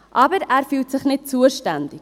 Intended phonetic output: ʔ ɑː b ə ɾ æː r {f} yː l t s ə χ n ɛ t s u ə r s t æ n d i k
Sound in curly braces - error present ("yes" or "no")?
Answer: no